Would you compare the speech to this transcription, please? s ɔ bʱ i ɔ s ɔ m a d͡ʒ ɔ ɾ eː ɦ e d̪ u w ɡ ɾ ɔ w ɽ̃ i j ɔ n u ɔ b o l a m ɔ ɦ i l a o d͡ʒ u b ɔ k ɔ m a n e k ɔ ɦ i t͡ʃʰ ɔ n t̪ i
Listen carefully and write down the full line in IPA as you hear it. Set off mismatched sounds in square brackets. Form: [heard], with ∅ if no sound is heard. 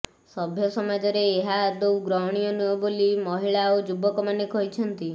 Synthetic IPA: s ɔ bʱ [j] ɔ s ɔ m a d͡ʒ ɔ ɾ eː ɦ [a] d̪ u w ɡ ɾ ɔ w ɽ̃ i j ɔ n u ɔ b o l [i] m ɔ ɦ i [ɭ] a o d͡ʒ u b ɔ k ɔ m a n e k ɔ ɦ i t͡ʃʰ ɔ n t̪ i